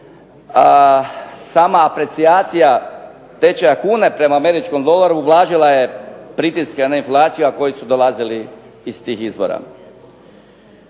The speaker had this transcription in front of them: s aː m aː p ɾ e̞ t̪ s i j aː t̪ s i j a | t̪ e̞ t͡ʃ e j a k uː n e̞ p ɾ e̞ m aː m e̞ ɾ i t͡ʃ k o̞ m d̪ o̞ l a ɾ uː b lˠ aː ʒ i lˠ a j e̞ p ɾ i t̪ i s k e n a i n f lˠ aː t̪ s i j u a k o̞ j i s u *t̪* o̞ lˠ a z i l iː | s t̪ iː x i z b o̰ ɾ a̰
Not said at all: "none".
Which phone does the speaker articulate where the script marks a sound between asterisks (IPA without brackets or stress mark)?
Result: d̪